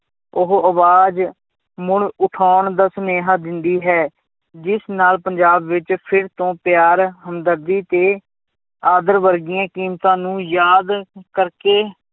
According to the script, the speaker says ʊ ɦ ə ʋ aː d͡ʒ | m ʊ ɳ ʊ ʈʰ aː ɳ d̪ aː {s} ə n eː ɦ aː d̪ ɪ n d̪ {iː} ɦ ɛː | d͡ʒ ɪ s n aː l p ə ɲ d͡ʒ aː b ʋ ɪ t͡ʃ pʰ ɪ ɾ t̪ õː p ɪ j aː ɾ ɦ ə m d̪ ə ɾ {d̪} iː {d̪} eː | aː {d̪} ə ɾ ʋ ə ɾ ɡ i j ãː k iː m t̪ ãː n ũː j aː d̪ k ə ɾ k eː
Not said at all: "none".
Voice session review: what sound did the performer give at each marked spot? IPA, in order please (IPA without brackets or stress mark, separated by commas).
s, iː, d̪, t̪, d̪